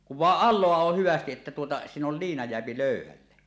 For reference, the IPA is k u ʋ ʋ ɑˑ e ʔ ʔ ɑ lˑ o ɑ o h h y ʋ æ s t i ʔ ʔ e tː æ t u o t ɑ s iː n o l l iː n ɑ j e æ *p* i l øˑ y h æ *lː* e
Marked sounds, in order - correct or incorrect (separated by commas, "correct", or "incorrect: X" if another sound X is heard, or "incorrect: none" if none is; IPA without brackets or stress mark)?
correct, correct